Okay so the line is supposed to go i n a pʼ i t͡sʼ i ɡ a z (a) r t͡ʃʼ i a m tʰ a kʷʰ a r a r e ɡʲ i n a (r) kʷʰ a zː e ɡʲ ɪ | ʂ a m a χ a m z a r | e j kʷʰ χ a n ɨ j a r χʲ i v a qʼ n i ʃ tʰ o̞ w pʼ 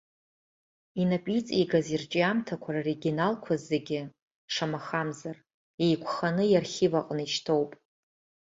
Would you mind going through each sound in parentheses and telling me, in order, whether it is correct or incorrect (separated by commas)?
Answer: incorrect, incorrect